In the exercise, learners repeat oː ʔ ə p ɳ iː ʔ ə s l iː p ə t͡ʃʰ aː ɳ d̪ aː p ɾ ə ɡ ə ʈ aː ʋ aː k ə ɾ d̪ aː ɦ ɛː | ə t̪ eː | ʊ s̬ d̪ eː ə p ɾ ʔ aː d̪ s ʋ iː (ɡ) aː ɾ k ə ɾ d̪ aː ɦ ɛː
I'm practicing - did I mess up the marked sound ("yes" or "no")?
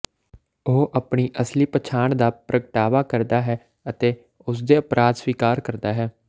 yes